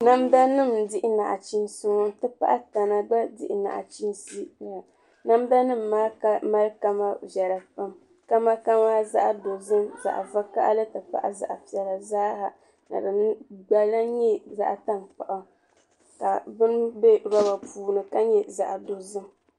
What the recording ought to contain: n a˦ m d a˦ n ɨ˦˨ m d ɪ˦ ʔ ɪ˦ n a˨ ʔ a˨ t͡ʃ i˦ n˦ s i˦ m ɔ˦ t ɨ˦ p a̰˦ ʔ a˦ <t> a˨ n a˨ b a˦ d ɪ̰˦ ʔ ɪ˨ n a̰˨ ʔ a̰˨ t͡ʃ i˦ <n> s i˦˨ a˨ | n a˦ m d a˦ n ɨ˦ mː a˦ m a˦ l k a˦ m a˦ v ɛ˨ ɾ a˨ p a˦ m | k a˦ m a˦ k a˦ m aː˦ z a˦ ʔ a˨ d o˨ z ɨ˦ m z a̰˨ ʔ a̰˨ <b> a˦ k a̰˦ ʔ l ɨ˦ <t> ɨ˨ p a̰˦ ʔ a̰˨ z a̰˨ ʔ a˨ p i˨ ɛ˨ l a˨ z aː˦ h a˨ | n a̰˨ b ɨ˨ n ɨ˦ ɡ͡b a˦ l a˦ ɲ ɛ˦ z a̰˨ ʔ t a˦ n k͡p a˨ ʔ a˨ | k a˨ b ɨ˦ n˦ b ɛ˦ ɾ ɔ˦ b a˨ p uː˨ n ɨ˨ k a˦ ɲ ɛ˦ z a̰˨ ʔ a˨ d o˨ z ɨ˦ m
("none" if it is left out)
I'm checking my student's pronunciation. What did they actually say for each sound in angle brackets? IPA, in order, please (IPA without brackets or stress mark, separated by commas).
t, n, v, t